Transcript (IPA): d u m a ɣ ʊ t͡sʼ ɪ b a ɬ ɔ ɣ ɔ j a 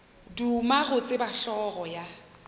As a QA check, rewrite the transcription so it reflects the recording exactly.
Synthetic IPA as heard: d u m a ɣ ʊ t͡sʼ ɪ b a ɬ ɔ ɣ ɔ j a